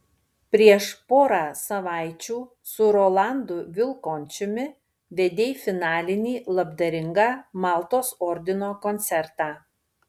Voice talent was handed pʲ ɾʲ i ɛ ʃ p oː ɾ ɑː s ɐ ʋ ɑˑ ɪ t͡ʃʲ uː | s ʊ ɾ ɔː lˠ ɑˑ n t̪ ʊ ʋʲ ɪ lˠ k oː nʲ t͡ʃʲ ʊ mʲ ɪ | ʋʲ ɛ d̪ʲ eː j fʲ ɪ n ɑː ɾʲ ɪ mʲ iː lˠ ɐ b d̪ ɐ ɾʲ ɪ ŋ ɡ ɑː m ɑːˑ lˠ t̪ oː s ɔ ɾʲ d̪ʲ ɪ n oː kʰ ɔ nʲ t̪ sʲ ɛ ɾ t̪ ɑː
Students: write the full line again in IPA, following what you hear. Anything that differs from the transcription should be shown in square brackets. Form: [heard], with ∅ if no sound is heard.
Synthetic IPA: pʲ ɾʲ i ɛ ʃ p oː ɾ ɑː s ɐ ʋ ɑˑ ɪ t͡ʃʲ uː | s ʊ ɾ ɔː lˠ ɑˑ n [d̪] ʊ ʋʲ ɪ lˠ k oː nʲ t͡ʃʲ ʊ mʲ ɪ | ʋʲ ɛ d̪ʲ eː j fʲ ɪ n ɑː [lʲ] ɪ [nʲ] iː lˠ ɐ b d̪ ɐ ɾʲ ɪ ŋ ɡ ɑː m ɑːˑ lˠ t̪ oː s ɔ ɾʲ d̪ʲ ɪ n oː [k] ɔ nʲ t̪ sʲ ɛ ɾ t̪ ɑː